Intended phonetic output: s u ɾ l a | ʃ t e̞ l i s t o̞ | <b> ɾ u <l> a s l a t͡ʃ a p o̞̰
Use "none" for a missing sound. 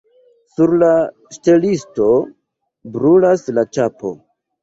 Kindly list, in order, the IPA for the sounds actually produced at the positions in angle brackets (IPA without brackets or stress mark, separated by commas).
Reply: b, l